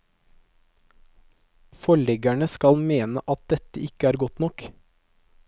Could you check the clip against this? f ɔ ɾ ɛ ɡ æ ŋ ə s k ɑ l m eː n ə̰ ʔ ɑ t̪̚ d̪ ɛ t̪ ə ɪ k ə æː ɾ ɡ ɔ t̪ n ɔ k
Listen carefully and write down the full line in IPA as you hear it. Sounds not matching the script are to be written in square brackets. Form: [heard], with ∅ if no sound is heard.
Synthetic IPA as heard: f ɔ [ɭ] ɛ ɡ æ [ɳ] ə s k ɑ l m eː n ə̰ ʔ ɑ t̪̚ d̪ ɛ t̪ ə ɪ k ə æː ɾ ɡ ɔ t̪ n ɔ k